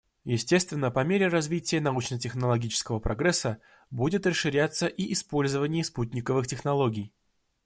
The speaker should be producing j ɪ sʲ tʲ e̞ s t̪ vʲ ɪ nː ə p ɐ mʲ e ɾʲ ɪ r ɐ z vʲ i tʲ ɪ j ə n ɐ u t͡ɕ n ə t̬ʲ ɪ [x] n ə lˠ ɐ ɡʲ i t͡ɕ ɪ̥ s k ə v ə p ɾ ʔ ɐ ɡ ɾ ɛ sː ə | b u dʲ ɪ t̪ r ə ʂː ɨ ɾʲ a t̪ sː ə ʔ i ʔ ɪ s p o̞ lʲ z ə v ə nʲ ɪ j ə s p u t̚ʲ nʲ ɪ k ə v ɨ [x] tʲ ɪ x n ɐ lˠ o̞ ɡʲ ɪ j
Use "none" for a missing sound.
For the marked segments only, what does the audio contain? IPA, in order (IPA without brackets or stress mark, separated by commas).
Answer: x, x